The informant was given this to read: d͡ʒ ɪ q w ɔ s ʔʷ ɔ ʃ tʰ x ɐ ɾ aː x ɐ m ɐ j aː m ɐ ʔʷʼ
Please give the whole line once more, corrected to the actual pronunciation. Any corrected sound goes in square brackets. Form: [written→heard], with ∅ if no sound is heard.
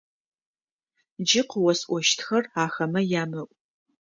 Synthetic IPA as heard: d͡ʒ ɪ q w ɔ s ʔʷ ɔ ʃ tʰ x ɐ [ɾ→r] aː x ɐ m ɐ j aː m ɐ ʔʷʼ